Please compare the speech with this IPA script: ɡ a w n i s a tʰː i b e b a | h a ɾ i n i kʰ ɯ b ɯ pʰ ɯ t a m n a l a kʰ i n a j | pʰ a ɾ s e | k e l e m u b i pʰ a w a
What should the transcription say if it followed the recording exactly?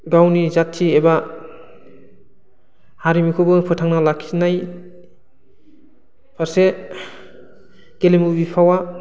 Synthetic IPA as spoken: ɡ a w n i z a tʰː i e b a | h a ɾ i m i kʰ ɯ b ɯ pʰ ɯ tʰ a ŋ n a l a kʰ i n a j | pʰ a ɾ s e | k e l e m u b i pʰ a w a